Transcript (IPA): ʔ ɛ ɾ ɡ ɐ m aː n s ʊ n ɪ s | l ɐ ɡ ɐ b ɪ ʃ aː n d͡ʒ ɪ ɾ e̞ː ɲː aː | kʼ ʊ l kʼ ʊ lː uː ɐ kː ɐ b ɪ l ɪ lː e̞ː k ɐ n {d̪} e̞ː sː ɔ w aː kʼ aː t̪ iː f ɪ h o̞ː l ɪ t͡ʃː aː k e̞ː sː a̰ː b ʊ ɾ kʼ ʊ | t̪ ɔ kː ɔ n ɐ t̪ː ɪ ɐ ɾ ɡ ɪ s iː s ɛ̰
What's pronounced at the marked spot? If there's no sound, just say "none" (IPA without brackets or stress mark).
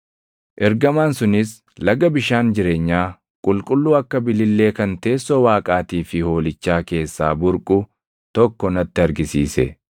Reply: t̪